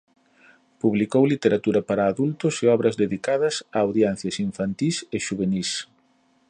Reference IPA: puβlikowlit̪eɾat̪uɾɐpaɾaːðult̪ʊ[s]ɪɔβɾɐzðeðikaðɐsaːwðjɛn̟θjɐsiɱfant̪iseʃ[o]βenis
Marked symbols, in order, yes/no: yes, no

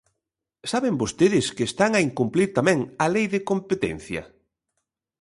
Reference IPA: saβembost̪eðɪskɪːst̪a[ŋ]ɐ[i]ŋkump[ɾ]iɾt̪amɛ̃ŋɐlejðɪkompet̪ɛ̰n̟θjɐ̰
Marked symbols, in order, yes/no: yes, yes, no

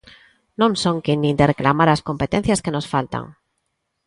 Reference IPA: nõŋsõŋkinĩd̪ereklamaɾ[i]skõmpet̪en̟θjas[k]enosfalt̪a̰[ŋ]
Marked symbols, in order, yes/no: no, yes, yes

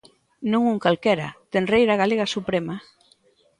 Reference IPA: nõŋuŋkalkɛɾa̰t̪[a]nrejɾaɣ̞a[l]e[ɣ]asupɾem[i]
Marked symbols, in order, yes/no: no, yes, yes, no

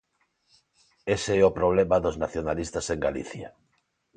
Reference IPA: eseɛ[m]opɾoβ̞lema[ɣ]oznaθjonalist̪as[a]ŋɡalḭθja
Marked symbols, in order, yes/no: no, no, no

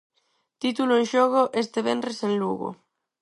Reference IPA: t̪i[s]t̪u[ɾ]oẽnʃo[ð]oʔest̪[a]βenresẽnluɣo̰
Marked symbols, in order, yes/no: no, no, no, no

